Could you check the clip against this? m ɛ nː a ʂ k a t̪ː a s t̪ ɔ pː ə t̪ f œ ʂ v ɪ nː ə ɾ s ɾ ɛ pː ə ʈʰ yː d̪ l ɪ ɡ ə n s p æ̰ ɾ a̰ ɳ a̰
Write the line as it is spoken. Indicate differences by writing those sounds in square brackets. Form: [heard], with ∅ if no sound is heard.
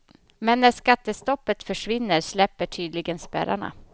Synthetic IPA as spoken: m ɛ nː [æ] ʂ k a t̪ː [ə] s t̪ ɔ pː ə t̪ f œ ʂ v ɪ nː ə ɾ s [l] ɛ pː ə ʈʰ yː d̪ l ɪ ɡ ə n s p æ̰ ɾ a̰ ɳ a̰